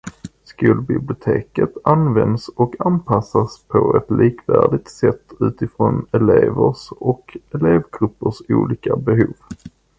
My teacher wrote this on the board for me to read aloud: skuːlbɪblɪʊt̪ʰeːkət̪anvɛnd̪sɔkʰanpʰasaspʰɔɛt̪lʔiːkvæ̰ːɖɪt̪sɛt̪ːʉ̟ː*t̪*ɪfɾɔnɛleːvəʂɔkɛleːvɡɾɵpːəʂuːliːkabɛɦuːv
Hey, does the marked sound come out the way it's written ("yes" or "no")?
yes